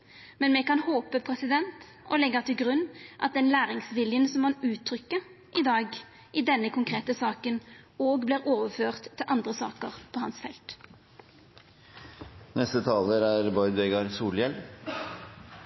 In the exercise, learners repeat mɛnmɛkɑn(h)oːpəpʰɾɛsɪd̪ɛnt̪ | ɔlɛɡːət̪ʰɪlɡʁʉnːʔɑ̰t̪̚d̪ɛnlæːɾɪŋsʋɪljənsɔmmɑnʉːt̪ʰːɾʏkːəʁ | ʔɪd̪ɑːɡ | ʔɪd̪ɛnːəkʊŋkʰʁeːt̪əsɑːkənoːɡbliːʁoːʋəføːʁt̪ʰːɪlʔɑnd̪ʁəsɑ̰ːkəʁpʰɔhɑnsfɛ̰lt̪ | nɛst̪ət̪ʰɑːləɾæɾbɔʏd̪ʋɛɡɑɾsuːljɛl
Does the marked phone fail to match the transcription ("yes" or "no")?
no